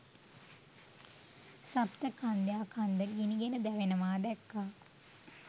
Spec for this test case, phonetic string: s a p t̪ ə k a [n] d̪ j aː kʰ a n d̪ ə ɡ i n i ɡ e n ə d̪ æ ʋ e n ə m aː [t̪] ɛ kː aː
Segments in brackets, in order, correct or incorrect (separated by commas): correct, incorrect